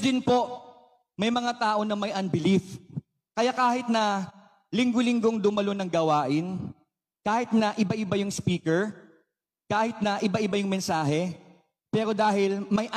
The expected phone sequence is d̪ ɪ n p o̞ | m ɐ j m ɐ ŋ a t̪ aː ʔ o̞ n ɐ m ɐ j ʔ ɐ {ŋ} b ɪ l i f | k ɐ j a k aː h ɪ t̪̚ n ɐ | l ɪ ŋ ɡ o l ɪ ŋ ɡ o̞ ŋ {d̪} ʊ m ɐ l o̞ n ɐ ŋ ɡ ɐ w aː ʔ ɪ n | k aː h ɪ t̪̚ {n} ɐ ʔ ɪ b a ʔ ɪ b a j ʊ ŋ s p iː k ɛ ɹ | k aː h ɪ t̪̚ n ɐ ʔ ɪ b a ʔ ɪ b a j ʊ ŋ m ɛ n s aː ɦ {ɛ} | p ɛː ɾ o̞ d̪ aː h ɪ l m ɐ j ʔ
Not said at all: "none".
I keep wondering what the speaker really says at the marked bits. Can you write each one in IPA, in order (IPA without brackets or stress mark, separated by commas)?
n, d̪, n, ɛ